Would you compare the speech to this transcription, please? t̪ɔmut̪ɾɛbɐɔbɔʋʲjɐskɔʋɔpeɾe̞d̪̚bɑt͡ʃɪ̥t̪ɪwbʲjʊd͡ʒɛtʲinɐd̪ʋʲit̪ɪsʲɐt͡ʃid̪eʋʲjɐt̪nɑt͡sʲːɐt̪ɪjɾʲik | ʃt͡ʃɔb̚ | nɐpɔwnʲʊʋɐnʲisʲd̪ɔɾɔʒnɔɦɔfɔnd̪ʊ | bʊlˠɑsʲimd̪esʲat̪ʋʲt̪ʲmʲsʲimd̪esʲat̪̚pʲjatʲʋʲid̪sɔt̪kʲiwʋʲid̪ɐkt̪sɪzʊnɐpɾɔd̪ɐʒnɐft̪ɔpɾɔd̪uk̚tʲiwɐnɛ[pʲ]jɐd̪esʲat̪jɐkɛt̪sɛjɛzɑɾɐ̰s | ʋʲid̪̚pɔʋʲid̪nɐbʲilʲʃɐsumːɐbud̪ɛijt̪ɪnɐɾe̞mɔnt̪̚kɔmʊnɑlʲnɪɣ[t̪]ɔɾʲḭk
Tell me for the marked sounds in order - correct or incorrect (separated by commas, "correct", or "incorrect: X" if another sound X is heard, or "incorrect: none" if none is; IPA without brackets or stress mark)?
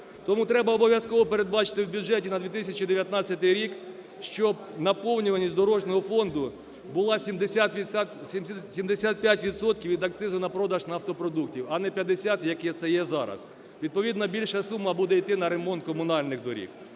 correct, incorrect: d̪